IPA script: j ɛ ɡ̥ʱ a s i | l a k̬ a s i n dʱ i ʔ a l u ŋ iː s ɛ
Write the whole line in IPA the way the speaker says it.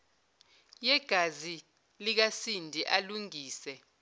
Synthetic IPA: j ɛ ɡ̥ʱ a z i | l i k̬ a s i n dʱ i ʔ a l u ŋ iː s ɛ